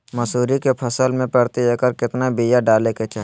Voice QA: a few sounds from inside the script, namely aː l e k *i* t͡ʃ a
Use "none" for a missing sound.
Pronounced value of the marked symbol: e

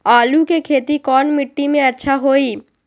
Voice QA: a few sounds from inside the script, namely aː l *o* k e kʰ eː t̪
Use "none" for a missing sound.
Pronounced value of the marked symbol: u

